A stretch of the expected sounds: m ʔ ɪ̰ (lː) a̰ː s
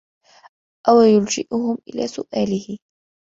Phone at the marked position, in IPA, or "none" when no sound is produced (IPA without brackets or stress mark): l